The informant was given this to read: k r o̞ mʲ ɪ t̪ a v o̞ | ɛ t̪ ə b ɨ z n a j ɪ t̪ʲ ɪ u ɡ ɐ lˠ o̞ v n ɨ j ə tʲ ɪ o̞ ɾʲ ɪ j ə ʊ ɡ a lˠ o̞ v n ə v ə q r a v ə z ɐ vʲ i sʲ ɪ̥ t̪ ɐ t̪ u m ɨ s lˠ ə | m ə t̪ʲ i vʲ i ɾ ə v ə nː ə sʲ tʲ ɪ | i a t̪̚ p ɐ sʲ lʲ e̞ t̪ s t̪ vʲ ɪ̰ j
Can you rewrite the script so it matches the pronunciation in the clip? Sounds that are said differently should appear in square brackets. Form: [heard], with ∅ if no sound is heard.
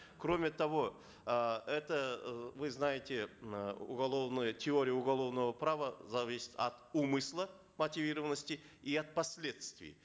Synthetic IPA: k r o̞ mʲ ɪ t̪ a v o̞ | ɛ t̪ ə [v] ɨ z n a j ɪ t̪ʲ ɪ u ɡ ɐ lˠ o̞ v n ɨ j ə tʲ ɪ o̞ ɾʲ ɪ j ə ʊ ɡ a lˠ o̞ v n ə v ə [p] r a v ə z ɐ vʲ i sʲ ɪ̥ t̪ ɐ t̪ u m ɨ s lˠ ə | m ə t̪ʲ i vʲ i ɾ ə v ə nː ə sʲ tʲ ɪ | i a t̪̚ p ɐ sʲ lʲ e̞ t̪ s t̪ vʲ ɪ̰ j

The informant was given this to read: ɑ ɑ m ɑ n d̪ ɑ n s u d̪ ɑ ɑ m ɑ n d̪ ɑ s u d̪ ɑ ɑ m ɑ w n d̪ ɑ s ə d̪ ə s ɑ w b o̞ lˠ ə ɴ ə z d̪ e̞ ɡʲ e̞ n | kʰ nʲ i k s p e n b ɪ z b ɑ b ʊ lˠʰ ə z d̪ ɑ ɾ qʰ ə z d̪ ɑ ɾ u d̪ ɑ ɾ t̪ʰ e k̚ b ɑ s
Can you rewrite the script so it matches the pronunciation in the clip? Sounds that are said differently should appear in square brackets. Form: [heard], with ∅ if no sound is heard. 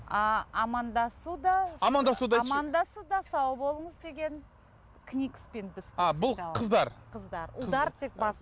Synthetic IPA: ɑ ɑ m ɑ n d̪ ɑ [∅] s u d̪ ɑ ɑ m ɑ n d̪ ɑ s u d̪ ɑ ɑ m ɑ [∅] n d̪ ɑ s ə d̪ [ɑ] s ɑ w b o̞ lˠ ə ɴ ə z d̪ e̞ ɡʲ e̞ n | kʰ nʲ i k s p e n b ɪ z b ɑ b ʊ lˠʰ ə z d̪ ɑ ɾ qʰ ə z d̪ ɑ ɾ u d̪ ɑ ɾ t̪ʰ e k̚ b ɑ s

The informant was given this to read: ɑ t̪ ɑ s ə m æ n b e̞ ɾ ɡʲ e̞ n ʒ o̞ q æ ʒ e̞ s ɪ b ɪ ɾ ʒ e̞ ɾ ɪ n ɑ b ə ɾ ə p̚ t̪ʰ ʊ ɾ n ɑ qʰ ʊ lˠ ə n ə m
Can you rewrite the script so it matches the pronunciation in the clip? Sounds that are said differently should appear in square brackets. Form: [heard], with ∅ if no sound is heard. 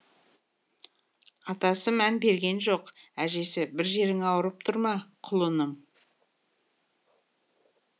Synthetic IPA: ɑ t̪ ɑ s ə m æ n b e̞ ɾ ɡʲ e̞ n ʒ o̞ q æ ʒ e̞ s ɪ b ɪ ɾ ʒ e̞ ɾ ɪ [ŋ] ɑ [w] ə ɾ ə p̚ t̪ʰ ʊ ɾ [m] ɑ qʰ ʊ lˠ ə n ə m

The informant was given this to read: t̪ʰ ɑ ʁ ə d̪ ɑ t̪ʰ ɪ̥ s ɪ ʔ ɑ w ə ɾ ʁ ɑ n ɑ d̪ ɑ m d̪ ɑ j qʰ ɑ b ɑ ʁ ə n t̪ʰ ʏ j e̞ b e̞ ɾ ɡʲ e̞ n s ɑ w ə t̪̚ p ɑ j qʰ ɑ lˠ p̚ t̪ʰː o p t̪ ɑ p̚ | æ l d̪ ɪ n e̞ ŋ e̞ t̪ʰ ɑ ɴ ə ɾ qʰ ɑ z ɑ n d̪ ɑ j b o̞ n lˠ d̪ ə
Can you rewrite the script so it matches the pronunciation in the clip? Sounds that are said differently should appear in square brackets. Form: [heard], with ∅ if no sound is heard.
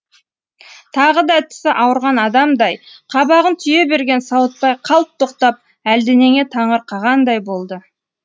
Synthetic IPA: t̪ʰ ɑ ʁ ə d̪ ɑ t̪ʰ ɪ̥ s ɪ ʔ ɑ w ə ɾ ʁ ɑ n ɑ d̪ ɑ m d̪ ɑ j qʰ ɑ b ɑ ʁ ə n t̪ʰ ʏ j e̞ b e̞ ɾ ɡʲ e̞ n s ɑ w ə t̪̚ p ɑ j qʰ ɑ lˠ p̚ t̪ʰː o [q] t̪ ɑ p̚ | æ l d̪ ɪ n e̞ ŋ e̞ t̪ʰ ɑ ɴ ə ɾ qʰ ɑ [ʁ] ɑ n d̪ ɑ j b o̞ [∅] lˠ d̪ ə

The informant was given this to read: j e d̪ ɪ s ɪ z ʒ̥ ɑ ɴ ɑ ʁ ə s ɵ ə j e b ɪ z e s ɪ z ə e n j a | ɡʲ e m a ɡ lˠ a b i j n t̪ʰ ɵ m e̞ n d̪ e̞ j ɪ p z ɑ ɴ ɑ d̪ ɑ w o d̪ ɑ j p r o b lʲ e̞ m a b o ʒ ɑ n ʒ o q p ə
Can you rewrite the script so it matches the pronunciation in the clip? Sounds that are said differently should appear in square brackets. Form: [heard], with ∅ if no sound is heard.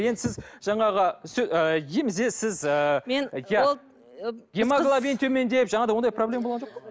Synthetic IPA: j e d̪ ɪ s ɪ z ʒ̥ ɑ ɴ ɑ ʁ ə s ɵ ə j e [m] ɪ z e s ɪ z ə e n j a | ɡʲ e m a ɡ lˠ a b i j n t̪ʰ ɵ m e̞ n d̪ e̞ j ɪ p [ʒ] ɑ ɴ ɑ d̪ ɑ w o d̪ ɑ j p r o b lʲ e̞ m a b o [ʁ] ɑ n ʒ o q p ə

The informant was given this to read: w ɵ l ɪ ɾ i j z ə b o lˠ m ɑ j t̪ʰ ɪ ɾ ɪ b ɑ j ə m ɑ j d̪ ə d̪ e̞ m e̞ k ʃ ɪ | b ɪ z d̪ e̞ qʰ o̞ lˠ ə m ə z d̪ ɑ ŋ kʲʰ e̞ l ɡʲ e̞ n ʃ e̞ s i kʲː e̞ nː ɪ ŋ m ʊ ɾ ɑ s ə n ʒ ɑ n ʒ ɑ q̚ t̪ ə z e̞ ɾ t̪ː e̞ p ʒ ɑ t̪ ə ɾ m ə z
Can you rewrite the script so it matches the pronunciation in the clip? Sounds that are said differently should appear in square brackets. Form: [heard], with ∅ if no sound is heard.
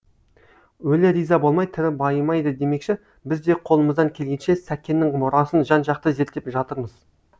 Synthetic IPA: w ɵ l ɪ ɾ i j z [ɑ] b o lˠ m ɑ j t̪ʰ ɪ ɾ ɪ b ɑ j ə m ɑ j d̪ ə d̪ e̞ m e̞ k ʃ ɪ | b ɪ z d̪ e̞ qʰ o̞ lˠ ə m ə z d̪ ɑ ŋ kʲʰ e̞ l ɡʲ e̞ n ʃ e̞ s [æ] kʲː e̞ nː ɪ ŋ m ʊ ɾ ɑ s ə n ʒ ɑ n ʒ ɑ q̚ t̪ ə z e̞ ɾ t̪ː e̞ p ʒ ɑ t̪ ə ɾ m ə z

